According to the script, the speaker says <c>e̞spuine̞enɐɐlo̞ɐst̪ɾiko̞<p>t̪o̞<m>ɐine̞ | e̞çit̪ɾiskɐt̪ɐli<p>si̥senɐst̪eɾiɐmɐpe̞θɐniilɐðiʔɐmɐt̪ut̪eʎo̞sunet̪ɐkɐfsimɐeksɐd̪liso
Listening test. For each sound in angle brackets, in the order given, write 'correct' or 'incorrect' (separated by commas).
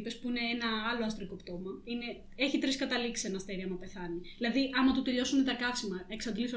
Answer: incorrect, correct, correct, incorrect